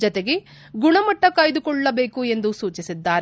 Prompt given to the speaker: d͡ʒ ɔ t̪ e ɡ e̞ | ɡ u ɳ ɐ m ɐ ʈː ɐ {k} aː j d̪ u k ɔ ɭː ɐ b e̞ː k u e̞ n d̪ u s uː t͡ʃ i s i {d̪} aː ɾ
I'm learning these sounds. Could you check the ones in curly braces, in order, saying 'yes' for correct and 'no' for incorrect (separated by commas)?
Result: yes, no